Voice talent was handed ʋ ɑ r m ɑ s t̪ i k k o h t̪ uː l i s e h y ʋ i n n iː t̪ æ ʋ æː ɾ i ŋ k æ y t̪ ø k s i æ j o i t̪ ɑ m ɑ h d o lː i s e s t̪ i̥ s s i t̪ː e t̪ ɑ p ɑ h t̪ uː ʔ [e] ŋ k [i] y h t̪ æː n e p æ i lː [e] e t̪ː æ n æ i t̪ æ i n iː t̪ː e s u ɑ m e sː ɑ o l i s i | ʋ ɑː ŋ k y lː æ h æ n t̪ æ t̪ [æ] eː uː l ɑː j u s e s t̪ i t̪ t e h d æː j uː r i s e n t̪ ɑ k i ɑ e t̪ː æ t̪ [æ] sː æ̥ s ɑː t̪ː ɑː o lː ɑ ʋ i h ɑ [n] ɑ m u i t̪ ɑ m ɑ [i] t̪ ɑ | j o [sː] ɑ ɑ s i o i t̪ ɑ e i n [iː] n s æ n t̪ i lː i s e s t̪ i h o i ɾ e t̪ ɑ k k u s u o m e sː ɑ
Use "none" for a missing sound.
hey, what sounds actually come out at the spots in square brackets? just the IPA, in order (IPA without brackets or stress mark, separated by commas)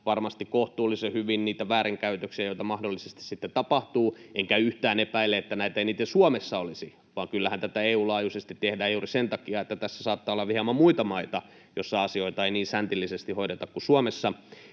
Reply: e, æ, e, æ, æ, m, i, sː, iː